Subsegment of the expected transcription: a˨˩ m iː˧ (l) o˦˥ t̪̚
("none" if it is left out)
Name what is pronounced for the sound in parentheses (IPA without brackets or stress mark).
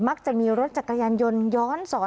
ɾ